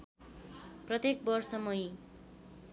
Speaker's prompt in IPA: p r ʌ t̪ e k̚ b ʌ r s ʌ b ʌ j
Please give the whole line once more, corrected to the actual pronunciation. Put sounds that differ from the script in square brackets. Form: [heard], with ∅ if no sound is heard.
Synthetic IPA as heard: p r ʌ t̪ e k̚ b ʌ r s ʌ [m] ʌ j